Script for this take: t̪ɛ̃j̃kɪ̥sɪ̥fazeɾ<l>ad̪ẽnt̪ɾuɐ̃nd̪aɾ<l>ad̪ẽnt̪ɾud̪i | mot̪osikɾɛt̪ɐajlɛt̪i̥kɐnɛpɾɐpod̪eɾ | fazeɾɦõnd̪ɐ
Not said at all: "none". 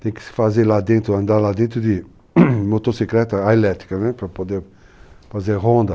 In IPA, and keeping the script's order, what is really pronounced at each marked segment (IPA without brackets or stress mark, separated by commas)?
l, l